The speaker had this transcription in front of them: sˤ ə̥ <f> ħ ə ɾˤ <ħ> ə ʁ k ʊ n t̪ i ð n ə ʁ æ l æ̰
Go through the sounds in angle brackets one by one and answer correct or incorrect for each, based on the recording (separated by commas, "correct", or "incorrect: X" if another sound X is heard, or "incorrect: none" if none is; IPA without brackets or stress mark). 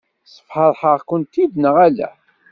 correct, correct